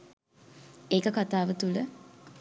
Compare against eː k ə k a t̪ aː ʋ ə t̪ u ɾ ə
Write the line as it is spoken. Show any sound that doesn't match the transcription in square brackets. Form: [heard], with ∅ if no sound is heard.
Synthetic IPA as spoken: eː k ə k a t̪ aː ʋ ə t̪ u [l] ə